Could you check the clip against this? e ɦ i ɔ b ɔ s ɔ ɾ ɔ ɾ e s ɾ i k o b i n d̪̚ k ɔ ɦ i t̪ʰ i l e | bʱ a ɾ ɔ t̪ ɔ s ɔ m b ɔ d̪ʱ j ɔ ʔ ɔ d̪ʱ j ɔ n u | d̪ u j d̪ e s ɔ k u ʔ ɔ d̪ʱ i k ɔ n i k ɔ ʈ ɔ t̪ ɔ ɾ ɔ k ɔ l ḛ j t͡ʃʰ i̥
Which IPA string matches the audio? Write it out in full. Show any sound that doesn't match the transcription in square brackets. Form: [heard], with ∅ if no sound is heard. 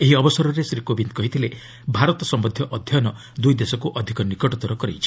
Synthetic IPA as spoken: e ɦ i ɔ b ɔ s ɔ ɾ ɔ ɾ e s ɾ i k o b i n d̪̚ k ɔ ɦ i t̪ʰ i l e | bʱ a ɾ ɔ t̪ ɔ s ɔ m b ɔ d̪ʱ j ɔ ʔ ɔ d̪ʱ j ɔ n [ɔ] | d̪ u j d̪ e s ɔ k u ʔ ɔ d̪ʱ i k ɔ n i k ɔ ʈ ɔ t̪ ɔ ɾ ɔ k ɔ [ɾ] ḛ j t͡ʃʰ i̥

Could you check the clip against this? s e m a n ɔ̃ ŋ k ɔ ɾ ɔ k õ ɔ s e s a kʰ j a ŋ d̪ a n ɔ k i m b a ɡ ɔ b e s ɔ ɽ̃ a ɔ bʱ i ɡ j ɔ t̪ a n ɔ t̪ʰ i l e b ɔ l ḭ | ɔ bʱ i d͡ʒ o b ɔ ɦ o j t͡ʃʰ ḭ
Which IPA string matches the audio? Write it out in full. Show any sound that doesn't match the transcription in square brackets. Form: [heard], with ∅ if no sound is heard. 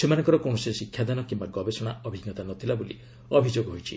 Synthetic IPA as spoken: s e m a n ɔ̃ ŋ k ɔ ɾ ɔ k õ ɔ s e s [i] kʰ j a [∅] d̪ a n ɔ k i m b a ɡ ɔ b e s ɔ ɽ̃ a ɔ bʱ i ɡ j ɔ t̪ a n ɔ t̪ʰ i l [a] b [o] l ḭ | ɔ bʱ i d͡ʒ o [ɡ] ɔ ɦ o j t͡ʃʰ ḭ

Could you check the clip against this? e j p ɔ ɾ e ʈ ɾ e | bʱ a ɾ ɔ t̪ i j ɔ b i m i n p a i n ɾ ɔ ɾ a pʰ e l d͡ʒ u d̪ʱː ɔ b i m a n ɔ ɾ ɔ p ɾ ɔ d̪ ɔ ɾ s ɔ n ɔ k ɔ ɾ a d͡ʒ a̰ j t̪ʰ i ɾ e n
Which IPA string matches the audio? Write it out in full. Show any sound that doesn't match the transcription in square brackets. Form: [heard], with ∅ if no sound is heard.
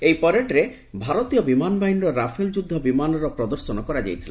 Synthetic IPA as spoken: e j p ɔ ɾ e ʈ ɾ e | bʱ a ɾ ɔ t̪ i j ɔ b i m [a] n [b] a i n ɾ ɔ ɾ a pʰ e l d͡ʒ u d̪ʱː ɔ b i m a n ɔ ɾ ɔ p ɾ ɔ d̪ ɔ ɾ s ɔ n ɔ k ɔ ɾ a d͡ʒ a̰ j t̪ʰ i [l] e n

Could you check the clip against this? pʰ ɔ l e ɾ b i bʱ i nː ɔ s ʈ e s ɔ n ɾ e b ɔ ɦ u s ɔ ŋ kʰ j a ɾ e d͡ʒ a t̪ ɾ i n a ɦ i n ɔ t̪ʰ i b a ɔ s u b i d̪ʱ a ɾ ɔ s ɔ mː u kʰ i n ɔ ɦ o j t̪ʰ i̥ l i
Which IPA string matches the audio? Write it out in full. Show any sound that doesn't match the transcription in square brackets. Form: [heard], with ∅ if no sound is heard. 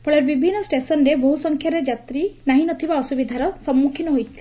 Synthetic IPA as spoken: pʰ ɔ [ɭ] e ɾ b i bʱ i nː ɔ s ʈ e s ɔ n ɾ e b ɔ ɦ u s ɔ ŋ kʰ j a ɾ e d͡ʒ a t̪ ɾ i n a ɦ i n ɔ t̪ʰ i b a ɔ s u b i d̪ʱ a ɾ ɔ s ɔ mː u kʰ i n ɔ ɦ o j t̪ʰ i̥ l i

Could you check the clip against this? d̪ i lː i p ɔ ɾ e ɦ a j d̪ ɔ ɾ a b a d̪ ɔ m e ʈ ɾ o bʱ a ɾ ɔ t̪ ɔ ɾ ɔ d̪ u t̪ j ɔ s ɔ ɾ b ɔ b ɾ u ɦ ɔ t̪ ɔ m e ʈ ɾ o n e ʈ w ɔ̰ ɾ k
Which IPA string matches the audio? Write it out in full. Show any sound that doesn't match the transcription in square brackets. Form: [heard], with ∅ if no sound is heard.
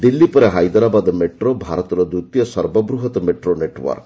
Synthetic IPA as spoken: d̪ i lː i p ɔ ɾ e ɦ a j d̪ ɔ ɾ a b a d̪ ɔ m e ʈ ɾ o bʱ a ɾ ɔ t̪ ɔ ɾ ɔ d̪ u t̪ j ɔ s ɔ ɾ b ɔ b ɾ u ɦ ɔ t̪ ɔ m e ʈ ɾ o n e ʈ w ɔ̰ ɾ k

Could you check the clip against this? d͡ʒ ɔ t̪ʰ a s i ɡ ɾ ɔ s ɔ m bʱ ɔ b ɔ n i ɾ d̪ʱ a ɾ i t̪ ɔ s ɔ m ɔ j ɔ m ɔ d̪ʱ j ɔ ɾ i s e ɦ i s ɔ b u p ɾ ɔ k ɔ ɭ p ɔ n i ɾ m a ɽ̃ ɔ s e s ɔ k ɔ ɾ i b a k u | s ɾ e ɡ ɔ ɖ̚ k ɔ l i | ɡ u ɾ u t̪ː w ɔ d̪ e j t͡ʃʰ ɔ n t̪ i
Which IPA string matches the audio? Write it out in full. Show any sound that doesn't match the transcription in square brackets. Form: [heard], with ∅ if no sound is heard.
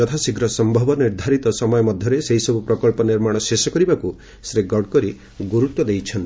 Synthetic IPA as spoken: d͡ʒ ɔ t̪ʰ a s i ɡ ɾ ɔ s ɔ m bʱ ɔ b ɔ n i ɾ d̪ʱ a ɾ i t̪ ɔ s ɔ m ɔ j ɔ m ɔ d̪ʱ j ɔ ɾ [e] s e ɦ i s ɔ b u p ɾ ɔ k ɔ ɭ p ɔ n i ɾ m a ɽ̃ ɔ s e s ɔ k ɔ ɾ i b a k u | s ɾ e ɡ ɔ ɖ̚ k ɔ [ɾ] i | ɡ u ɾ u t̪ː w ɔ d̪ e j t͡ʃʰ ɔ n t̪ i

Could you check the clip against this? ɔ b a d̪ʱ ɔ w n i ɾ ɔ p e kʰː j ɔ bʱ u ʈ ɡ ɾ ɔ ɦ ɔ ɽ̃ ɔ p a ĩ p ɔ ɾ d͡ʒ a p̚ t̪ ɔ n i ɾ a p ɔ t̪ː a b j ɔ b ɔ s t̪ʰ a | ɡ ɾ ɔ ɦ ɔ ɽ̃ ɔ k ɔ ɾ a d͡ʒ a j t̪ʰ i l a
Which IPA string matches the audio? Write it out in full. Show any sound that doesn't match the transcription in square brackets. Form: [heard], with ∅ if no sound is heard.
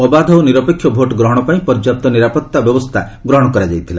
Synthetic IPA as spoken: ɔ b a d̪ʱ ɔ w n i ɾ ɔ p e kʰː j ɔ bʱ [o] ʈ ɡ ɾ ɔ ɦ ɔ ɽ̃ ɔ p a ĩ p ɔ ɾ d͡ʒ a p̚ t̪ ɔ n i ɾ a p ɔ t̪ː a b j ɔ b ɔ s t̪ʰ a | ɡ ɾ ɔ ɦ ɔ ɽ̃ ɔ k ɔ ɾ a d͡ʒ a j t̪ʰ i l a

